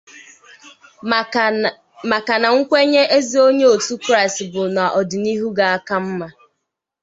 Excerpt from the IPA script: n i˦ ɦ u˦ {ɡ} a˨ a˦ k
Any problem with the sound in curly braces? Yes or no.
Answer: no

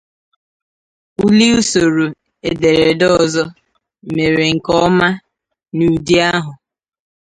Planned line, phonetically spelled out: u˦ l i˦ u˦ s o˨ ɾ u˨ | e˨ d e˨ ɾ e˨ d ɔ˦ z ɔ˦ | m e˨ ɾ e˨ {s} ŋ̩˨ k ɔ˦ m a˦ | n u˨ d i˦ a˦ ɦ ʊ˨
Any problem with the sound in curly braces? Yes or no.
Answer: yes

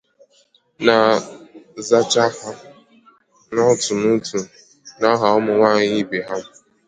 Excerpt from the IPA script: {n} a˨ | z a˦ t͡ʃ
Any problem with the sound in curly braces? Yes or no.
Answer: no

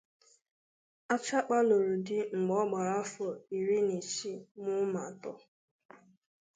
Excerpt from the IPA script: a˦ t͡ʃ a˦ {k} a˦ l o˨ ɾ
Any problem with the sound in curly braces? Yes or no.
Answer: yes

